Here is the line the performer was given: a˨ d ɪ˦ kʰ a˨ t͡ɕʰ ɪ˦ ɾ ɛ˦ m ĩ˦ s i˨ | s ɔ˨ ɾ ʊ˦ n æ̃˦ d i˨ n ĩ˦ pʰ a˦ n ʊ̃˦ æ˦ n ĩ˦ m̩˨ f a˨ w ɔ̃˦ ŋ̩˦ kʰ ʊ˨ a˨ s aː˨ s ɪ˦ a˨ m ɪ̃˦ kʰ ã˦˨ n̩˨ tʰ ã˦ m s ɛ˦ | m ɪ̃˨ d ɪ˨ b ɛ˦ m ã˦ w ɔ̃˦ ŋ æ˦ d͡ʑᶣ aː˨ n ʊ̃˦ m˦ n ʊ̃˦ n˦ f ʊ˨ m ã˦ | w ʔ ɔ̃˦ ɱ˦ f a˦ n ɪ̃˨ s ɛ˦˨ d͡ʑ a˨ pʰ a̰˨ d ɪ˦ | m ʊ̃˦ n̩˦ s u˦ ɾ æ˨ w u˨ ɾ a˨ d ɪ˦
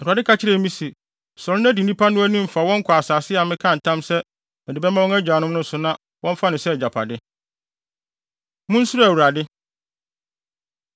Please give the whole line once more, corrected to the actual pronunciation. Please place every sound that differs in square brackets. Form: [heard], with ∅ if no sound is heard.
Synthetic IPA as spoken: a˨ d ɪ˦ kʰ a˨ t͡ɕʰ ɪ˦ ɾ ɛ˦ m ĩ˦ s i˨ | s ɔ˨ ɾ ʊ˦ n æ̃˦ d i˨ n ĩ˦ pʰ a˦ n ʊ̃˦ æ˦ n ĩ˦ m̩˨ f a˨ w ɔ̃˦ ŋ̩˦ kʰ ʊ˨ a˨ s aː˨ s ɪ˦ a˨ m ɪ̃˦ kʰ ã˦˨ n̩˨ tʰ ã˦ m s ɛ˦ | m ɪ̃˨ d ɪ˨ b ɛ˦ m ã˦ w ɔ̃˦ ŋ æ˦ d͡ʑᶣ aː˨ n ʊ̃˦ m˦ n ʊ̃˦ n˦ [s] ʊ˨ [n] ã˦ | w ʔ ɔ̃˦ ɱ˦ f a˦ n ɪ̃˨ s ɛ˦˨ d͡ʑ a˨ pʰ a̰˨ d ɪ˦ | m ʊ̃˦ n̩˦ s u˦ ɾ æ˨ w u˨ ɾ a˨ d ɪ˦